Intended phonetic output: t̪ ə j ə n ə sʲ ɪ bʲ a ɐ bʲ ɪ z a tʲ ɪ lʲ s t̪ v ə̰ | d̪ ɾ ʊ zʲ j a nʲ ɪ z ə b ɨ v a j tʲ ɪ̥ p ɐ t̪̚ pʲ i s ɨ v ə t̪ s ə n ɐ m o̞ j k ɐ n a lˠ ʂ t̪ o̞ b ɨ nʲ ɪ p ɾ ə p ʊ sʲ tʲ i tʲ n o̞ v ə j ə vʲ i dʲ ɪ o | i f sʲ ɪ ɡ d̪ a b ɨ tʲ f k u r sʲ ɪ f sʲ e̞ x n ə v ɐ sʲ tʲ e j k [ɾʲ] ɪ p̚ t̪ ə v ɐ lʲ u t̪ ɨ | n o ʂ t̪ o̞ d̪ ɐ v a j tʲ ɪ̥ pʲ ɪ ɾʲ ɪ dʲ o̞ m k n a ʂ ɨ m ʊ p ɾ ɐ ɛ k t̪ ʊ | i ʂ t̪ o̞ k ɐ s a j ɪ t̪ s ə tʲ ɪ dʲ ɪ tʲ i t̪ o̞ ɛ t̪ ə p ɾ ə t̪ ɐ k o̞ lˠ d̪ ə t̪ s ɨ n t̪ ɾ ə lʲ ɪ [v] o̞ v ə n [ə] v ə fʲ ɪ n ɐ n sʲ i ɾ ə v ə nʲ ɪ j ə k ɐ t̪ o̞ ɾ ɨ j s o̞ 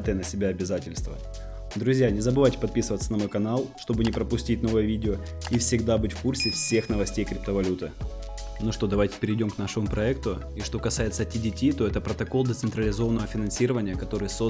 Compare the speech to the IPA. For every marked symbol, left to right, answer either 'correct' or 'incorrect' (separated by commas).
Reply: correct, incorrect, correct